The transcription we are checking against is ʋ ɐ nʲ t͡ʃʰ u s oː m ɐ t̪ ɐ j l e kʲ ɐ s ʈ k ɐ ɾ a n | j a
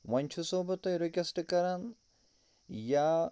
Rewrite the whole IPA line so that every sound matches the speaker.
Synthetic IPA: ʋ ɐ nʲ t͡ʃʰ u s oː b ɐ t̪ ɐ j ɾ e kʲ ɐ s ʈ k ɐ ɾ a n | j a